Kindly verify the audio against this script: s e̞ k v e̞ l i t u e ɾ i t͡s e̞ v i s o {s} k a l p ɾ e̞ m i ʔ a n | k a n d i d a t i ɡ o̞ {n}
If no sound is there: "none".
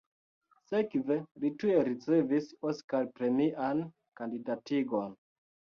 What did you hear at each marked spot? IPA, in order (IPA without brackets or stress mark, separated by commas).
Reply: s, n